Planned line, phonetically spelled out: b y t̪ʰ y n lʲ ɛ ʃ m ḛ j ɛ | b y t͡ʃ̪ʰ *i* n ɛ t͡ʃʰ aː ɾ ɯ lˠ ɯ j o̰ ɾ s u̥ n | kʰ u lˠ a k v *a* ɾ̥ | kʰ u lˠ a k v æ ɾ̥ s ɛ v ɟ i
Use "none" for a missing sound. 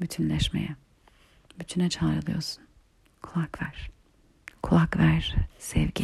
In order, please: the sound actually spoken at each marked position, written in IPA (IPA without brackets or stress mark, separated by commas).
y, æ